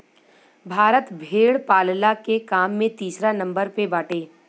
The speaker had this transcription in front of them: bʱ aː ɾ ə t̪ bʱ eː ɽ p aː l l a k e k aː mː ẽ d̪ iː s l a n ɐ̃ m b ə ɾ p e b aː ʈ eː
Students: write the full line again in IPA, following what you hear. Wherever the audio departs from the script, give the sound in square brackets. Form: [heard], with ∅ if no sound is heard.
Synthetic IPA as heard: bʱ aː ɾ ə t̪ bʱ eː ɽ p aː l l a k e k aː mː ẽ [t̪] iː s [ɾ] a n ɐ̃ m b ə ɾ p e b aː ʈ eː